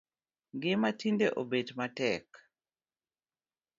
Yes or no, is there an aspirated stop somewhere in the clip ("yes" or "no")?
no